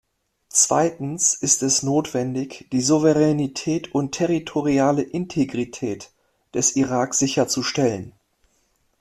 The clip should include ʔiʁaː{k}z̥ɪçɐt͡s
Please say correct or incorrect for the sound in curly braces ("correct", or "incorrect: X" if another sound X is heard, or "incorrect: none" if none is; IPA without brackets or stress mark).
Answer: correct